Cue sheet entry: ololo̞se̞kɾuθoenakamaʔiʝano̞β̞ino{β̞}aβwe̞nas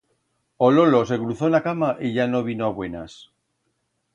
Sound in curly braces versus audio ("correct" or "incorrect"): incorrect